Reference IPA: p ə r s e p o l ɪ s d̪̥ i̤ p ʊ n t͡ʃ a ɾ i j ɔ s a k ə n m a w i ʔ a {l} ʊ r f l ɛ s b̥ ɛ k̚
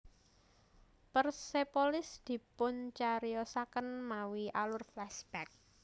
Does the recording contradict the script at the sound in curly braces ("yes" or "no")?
no